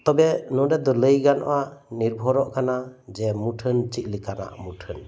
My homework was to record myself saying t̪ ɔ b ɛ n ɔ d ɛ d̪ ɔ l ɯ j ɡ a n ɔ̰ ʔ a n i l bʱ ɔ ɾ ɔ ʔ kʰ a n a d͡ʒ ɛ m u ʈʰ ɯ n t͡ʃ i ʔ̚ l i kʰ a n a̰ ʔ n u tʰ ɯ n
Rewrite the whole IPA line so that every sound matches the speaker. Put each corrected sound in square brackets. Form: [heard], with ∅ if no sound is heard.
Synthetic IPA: t̪ ɔ b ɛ n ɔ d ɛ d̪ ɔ l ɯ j ɡ a n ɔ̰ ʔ a n i [ɾ] bʱ ɔ ɾ ɔ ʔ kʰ a n a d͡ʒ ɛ m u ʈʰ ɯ n t͡ʃ i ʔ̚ l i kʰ a n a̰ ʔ [m] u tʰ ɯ n